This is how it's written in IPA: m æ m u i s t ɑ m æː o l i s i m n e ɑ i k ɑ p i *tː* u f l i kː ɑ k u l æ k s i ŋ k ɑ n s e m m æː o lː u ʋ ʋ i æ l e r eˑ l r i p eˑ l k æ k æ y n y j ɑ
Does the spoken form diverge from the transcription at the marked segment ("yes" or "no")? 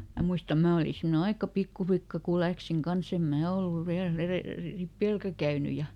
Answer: yes